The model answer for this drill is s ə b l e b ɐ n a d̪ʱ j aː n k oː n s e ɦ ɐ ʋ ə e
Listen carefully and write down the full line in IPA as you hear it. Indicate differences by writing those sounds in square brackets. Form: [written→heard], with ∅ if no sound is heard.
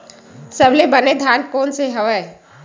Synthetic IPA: s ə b l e b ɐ n [a→e] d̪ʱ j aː n k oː n s e ɦ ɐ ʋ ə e